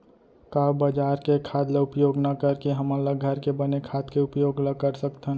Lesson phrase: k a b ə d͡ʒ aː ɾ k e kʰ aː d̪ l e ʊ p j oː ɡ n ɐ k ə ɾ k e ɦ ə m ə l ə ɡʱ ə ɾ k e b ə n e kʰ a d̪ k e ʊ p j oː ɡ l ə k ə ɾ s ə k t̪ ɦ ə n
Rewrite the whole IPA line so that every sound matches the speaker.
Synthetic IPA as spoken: k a b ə d͡ʒ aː ɾ k e kʰ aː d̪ l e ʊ p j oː ɡ n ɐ k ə ɾ k e ɦ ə m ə l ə ɡʱ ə ɾ k e b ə n e kʰ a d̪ k e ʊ p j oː ɡ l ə k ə ɾ s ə k t̪ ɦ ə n